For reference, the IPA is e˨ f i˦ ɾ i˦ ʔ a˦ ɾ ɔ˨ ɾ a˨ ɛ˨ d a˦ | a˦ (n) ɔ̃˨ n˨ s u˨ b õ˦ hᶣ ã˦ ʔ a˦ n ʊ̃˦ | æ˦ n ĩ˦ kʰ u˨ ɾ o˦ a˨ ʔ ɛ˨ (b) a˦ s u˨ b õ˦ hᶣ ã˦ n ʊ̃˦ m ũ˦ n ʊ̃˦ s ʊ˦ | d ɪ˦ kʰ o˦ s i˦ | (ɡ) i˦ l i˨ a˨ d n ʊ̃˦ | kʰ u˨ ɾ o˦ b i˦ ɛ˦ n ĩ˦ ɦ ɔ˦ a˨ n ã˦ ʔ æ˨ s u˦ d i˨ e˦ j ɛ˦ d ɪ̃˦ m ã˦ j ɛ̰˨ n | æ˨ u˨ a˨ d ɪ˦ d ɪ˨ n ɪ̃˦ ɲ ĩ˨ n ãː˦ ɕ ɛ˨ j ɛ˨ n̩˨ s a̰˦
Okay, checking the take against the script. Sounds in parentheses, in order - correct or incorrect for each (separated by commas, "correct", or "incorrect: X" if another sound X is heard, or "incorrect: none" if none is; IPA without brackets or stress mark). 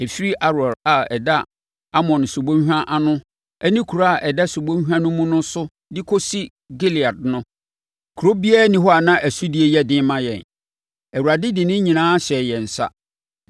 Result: incorrect: m, incorrect: d, correct